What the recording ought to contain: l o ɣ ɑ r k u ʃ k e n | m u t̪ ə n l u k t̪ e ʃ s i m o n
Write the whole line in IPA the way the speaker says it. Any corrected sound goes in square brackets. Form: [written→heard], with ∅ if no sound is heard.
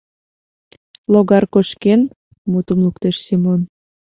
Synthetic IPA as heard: l o ɣ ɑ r k [u→o] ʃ k e n | m u t̪ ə [n→m] l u k t̪ e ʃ s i m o n